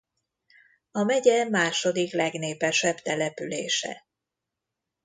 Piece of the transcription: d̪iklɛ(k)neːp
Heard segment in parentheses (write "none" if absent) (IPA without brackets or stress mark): ɡ